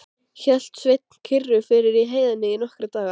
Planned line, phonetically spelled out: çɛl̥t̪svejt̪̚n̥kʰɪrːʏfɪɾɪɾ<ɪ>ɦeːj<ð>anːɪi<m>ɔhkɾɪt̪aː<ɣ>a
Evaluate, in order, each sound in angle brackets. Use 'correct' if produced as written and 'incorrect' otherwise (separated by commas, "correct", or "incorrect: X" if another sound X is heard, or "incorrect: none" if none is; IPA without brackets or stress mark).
incorrect: i, correct, incorrect: n, correct